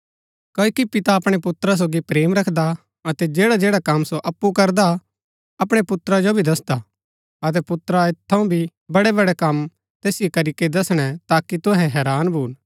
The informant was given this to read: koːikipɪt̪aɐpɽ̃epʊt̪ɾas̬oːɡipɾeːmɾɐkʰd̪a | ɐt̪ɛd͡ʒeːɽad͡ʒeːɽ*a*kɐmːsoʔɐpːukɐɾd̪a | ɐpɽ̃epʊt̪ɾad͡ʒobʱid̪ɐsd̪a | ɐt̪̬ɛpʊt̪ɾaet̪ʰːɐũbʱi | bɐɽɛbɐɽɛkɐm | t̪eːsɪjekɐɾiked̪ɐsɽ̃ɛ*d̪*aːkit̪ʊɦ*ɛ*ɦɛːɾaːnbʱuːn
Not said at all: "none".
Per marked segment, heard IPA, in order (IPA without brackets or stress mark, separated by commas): a, t̪, ɛ